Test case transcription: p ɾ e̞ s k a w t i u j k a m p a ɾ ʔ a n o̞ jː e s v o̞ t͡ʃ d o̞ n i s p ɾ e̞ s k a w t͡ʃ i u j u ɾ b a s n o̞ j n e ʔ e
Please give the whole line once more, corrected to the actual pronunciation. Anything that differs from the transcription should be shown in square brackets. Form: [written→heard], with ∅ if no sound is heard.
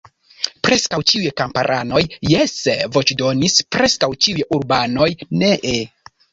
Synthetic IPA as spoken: p ɾ e̞ s k a w [t→t͡ʃ] i u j k a m p a ɾ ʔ a n o̞ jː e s v o̞ t͡ʃ d o̞ n i s p ɾ e̞ s k a w t͡ʃ i u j u ɾ b a [s→∅] n o̞ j n e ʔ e

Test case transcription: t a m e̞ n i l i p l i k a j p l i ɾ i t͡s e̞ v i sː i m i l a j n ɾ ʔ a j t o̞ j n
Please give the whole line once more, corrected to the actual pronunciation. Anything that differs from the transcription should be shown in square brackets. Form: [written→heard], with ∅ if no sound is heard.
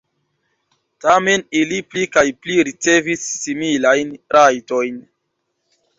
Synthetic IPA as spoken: t a m e̞ n i l i p l i k a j p l i ɾ i t͡s e̞ v i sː i m i l a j n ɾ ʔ a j t o̞ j n

